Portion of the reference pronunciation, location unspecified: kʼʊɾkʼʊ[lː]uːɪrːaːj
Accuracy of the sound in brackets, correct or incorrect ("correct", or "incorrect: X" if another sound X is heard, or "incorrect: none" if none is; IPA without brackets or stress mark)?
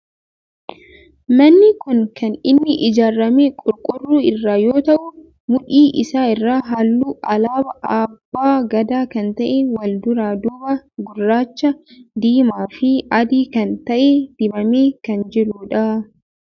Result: incorrect: rː